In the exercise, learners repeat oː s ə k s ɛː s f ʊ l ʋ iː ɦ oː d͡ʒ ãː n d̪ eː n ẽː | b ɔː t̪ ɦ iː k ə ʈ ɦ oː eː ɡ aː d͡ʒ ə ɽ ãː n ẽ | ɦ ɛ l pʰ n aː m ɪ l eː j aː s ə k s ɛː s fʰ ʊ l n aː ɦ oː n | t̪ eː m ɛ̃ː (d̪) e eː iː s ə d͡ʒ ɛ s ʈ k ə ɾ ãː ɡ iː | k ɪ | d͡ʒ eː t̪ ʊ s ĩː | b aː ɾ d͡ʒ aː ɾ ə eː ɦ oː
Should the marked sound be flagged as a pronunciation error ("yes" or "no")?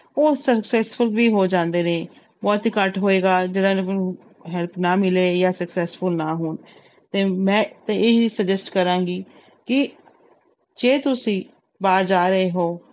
yes